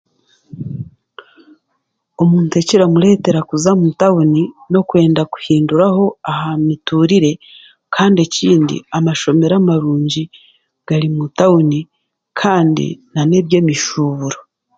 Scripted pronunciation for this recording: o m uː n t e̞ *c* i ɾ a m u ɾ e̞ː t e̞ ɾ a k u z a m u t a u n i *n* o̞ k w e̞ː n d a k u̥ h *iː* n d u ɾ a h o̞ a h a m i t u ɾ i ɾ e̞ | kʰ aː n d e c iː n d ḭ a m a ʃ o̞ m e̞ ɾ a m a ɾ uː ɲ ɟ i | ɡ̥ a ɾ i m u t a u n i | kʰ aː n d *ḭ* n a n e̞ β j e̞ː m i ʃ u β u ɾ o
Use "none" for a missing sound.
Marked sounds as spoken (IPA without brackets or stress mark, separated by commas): c, n, iː, ḭ